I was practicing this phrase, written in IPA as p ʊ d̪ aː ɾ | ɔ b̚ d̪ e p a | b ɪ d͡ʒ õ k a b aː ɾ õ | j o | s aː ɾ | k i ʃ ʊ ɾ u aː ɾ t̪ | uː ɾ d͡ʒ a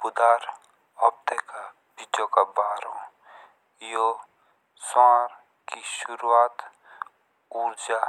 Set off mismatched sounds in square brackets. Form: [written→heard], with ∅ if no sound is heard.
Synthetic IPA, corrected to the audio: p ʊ d̪ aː ɾ | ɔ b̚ [d̪→t̪] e [p→k] a | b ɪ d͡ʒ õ k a b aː ɾ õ | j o | s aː ɾ | k i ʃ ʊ ɾ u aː [ɾ→∅] t̪ | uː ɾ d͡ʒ a